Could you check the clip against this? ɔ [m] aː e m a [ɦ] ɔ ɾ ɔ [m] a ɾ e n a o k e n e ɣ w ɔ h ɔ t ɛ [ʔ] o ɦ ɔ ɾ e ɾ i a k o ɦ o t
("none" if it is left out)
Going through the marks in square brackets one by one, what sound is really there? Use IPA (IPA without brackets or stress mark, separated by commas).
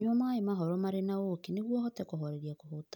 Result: m, ɦ, m, k